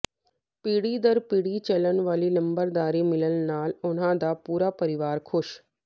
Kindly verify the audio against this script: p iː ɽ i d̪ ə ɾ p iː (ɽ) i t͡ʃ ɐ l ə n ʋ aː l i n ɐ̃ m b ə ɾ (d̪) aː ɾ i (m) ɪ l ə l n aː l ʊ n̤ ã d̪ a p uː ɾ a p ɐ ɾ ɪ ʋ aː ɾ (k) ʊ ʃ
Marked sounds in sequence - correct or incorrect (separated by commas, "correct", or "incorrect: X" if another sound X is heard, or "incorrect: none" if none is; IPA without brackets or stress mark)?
correct, correct, correct, incorrect: kʰ